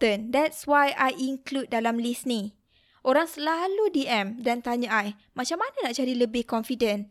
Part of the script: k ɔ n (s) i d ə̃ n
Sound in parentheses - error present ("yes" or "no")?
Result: yes